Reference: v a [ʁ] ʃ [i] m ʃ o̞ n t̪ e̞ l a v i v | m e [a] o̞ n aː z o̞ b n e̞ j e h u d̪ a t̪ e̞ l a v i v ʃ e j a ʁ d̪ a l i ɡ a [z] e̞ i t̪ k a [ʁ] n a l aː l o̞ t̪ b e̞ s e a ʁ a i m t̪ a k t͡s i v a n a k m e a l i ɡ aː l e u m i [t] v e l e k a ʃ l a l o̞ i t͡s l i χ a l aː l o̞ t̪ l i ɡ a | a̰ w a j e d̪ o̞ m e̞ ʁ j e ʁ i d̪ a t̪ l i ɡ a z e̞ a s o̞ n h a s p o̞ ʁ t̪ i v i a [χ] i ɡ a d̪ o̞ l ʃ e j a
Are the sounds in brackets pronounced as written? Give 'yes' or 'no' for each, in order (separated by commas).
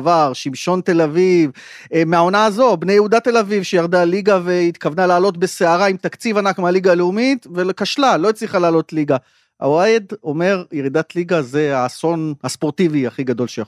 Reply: yes, yes, yes, no, no, yes, yes